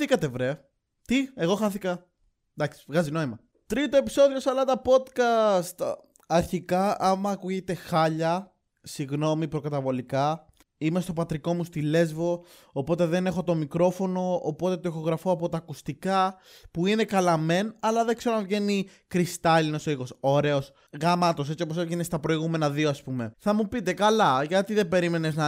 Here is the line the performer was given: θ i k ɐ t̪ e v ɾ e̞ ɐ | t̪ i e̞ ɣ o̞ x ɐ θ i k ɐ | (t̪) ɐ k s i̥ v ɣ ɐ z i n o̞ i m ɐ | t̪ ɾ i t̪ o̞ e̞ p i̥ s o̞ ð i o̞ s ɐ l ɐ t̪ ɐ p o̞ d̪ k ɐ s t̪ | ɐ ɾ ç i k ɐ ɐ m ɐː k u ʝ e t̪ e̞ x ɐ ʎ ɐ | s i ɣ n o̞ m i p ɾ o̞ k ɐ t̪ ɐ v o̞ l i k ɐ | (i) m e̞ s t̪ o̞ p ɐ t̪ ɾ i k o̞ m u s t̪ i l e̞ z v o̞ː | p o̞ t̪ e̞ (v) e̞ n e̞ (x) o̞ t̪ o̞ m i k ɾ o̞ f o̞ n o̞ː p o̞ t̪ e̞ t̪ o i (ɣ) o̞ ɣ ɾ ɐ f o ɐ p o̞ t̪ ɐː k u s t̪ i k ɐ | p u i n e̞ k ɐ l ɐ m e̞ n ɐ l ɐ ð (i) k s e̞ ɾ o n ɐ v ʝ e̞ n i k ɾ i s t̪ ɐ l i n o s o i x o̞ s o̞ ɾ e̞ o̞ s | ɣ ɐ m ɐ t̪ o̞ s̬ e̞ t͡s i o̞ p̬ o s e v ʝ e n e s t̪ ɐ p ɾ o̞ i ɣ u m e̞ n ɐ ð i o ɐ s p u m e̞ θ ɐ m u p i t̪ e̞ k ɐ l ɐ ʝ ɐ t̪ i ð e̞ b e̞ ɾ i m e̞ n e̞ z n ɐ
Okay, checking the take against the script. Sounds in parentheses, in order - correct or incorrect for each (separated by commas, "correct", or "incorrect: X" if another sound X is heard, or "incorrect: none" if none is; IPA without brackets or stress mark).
incorrect: d̪, correct, incorrect: ð, correct, incorrect: x, incorrect: e